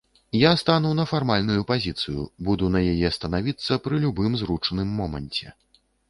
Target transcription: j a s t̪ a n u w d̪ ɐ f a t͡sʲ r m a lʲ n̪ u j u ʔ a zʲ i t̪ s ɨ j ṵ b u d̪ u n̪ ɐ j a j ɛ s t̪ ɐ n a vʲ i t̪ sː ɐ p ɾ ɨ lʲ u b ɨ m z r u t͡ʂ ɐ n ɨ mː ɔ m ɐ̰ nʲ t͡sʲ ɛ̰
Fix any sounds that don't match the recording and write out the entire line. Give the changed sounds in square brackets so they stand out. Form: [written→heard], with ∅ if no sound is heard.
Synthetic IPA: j a s t̪ a n u w [d̪→n̪] ɐ f a [t͡sʲ→∅] r m a lʲ n̪ u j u [ʔ→p] a zʲ i t̪ s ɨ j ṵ b u d̪ u n̪ ɐ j a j ɛ s t̪ ɐ n a vʲ i t̪ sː ɐ p ɾ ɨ lʲ u b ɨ m z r u t͡ʂ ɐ n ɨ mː ɔ m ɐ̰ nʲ t͡sʲ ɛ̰